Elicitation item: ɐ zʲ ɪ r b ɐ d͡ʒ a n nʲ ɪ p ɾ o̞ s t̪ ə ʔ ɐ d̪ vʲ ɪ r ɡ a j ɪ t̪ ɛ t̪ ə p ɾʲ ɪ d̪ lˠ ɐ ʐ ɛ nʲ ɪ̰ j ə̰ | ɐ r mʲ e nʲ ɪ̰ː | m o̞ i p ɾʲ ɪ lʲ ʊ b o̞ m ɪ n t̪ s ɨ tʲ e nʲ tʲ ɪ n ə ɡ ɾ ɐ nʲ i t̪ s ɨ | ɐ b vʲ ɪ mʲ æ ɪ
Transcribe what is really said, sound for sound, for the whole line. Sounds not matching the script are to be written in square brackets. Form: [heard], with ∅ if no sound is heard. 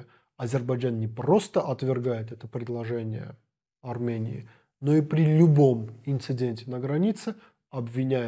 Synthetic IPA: ɐ zʲ ɪ r b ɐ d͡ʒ a n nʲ ɪ p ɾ o̞ s t̪ ə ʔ ɐ [t̪] vʲ ɪ r ɡ a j ɪ t̪ ɛ t̪ ə p ɾʲ ɪ d̪ lˠ ɐ ʐ ɛ nʲ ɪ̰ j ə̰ | ɐ r mʲ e nʲ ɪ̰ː | [n] o̞ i p ɾʲ ɪ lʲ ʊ b o̞ m ɪ n t̪ s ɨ [dʲ] e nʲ tʲ ɪ n ə ɡ ɾ ɐ nʲ i t̪ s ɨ | ɐ b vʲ ɪ [nʲ] æ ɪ